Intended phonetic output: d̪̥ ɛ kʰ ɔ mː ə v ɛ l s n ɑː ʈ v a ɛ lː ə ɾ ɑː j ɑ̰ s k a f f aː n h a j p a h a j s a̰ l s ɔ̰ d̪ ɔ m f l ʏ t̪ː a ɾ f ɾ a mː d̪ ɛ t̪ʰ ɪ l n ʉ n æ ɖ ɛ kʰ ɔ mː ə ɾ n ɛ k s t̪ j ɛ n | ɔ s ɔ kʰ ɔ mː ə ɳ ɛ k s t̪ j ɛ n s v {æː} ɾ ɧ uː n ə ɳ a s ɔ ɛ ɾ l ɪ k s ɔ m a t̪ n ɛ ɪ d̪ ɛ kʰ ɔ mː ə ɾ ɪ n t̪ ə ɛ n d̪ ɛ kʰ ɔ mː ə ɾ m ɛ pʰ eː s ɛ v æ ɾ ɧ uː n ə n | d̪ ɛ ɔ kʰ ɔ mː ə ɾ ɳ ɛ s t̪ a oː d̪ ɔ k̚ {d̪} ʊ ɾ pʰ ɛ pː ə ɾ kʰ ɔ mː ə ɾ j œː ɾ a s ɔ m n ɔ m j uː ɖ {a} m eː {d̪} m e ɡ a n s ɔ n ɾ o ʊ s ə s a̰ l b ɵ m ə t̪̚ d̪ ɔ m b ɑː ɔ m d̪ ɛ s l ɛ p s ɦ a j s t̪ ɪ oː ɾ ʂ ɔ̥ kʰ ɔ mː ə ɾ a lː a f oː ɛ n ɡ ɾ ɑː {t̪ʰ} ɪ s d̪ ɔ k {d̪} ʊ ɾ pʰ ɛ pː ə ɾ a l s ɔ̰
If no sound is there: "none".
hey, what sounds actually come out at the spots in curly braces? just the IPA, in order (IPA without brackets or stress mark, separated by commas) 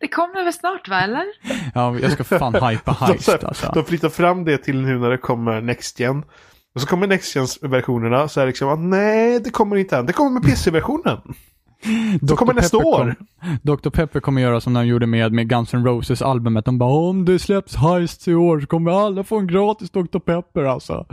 æ, t̪, ə, d̪, t̪, t̪